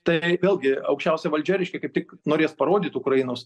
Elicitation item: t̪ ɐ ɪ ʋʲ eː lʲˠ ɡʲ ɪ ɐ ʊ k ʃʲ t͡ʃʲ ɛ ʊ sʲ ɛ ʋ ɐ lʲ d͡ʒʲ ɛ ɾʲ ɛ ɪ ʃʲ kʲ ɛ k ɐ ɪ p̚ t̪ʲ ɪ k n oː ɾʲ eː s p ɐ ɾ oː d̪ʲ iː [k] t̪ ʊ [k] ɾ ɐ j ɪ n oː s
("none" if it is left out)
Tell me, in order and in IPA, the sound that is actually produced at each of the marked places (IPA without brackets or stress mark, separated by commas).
none, k